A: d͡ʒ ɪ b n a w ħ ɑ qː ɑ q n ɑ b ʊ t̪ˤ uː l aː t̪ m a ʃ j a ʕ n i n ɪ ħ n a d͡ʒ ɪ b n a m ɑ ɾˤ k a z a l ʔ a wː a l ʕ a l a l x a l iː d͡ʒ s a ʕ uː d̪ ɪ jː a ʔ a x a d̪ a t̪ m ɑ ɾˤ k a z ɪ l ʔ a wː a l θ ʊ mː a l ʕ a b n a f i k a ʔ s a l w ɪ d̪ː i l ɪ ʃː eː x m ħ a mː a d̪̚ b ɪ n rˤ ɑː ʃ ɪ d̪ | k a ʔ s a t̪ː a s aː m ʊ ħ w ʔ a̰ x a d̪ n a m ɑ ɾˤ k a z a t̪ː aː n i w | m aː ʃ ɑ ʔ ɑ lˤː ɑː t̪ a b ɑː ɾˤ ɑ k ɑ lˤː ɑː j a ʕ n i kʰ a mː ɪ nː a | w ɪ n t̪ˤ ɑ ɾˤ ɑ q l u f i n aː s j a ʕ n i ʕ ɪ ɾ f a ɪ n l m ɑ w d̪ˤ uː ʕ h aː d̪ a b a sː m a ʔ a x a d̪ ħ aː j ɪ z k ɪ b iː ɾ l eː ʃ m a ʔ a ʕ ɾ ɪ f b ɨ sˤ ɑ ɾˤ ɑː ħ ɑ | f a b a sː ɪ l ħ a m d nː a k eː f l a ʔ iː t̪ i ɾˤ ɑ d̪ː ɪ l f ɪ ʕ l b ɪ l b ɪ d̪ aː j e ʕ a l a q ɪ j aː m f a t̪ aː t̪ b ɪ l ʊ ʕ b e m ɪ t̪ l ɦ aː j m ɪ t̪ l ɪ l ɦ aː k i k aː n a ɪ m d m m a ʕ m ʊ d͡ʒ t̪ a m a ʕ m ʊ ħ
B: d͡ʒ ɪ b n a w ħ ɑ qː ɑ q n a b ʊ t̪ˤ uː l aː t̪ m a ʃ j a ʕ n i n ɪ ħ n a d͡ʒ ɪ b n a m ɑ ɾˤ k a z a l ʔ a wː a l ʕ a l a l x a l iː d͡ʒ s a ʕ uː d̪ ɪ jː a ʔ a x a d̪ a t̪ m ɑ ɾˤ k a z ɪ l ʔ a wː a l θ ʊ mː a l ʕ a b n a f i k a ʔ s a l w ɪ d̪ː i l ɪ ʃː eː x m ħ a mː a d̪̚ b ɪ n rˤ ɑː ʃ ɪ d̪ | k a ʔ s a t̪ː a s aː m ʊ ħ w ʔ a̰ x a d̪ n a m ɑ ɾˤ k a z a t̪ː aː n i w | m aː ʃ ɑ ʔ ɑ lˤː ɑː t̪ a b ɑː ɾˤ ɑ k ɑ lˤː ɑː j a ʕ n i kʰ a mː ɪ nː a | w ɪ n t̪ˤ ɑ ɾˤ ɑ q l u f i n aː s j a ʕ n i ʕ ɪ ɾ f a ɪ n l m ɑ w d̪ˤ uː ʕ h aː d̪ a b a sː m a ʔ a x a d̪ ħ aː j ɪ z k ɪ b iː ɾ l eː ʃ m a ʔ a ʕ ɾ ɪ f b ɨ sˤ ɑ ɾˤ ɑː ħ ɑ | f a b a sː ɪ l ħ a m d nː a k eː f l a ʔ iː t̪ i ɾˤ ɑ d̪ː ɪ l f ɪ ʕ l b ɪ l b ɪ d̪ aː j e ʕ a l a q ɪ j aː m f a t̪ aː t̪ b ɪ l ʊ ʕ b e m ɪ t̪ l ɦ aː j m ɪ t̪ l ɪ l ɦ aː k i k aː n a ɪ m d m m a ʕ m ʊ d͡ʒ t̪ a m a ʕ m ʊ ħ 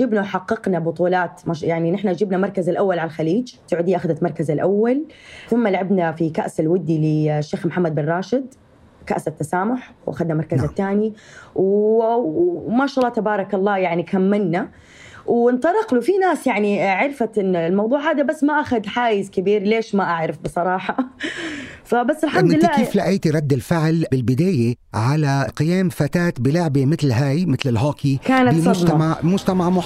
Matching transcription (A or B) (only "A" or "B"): B